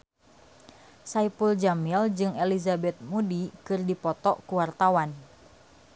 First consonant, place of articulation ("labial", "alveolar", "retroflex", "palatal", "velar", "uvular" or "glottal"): alveolar